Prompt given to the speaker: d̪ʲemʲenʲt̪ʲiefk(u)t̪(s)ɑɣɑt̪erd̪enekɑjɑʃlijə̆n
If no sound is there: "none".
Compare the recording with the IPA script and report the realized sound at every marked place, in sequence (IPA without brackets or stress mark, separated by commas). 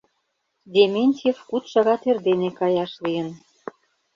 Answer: u, ʃ